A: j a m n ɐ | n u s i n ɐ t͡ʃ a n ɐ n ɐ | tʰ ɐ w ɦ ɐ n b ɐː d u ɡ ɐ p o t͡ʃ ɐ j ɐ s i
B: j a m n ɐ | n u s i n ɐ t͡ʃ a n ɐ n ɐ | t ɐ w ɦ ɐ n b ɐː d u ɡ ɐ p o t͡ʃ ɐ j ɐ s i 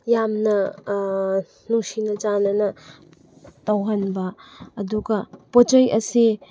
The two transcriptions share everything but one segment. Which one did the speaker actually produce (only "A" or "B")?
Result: B